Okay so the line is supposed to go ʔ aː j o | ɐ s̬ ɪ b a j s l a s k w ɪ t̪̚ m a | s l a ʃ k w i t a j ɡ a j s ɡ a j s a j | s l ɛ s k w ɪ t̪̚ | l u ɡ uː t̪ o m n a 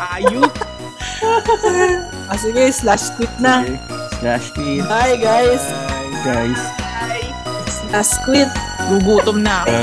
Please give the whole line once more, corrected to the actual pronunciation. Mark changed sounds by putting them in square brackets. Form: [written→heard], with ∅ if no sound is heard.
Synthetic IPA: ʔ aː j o | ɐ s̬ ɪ [b→ɡ] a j s l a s k w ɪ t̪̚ [m→n] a | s l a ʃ k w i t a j ɡ a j s ɡ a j s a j | s l [ɛ→a] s k w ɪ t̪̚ | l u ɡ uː t̪ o m n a